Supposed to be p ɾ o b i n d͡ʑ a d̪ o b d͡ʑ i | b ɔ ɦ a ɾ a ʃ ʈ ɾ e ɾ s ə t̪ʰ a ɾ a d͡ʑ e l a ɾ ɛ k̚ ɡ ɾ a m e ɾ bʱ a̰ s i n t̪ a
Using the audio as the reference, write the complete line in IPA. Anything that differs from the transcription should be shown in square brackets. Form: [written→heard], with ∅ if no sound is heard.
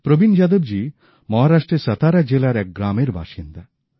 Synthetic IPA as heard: p ɾ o b i n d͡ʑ a d̪ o b d͡ʑ i | [b→m] ɔ ɦ a ɾ a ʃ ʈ ɾ e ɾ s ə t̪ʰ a ɾ a d͡ʑ e l a ɾ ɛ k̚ ɡ ɾ a m e ɾ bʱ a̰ [s→ʃ] i n [t̪→d̪] a